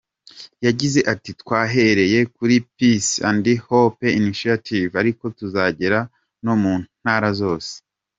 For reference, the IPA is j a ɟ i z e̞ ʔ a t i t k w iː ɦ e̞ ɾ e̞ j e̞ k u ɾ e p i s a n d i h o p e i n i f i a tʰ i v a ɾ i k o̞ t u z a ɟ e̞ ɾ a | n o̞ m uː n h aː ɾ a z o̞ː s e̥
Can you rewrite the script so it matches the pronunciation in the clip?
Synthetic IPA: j a ɟ i z e̞ ʔ a t i t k w aː ɦ e̞ ɾ e̞ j e̞ k u ɾ i p i s a n d i h o p e i n i ʃ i a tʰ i v a ɾ i k o̞ t u z a ɟ e̞ ɾ a | n o̞ m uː n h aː ɾ a z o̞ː s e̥